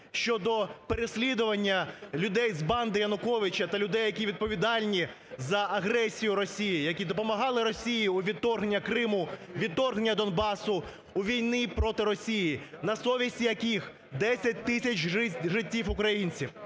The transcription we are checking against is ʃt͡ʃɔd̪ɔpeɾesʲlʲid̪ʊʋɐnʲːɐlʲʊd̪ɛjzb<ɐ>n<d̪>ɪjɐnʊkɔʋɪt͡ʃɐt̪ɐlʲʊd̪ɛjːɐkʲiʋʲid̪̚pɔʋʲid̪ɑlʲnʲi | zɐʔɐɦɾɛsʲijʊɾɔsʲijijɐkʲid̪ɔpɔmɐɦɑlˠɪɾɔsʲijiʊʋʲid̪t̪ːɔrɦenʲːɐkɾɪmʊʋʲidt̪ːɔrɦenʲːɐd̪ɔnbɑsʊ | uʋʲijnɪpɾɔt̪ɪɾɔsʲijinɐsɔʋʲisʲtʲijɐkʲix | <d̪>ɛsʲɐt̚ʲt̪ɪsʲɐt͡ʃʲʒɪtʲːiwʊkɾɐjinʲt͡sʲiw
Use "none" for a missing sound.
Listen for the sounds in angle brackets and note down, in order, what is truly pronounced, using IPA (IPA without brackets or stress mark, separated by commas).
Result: ɑ, d̪, d̪